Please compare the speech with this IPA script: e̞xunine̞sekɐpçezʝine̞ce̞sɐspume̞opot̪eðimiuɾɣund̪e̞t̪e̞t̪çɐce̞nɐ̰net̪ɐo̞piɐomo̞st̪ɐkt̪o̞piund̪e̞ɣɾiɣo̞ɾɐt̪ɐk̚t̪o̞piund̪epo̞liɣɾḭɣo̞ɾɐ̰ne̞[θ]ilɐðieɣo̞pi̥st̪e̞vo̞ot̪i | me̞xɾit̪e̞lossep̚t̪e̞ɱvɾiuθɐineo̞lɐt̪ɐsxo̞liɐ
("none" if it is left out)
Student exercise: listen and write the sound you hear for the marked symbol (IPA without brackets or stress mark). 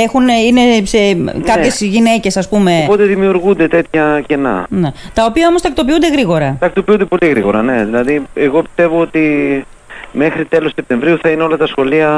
ð